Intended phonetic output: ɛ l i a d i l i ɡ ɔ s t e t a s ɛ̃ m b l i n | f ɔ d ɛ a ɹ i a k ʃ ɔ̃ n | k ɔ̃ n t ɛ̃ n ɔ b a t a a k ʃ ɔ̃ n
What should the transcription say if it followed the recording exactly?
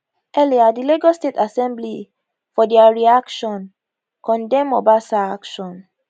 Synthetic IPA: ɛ l i a d i l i ɡ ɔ s t e t a s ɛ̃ m b l i | f ɔ d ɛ a ɹ i a k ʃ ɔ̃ n | k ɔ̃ n d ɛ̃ m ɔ b a s a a k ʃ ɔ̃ n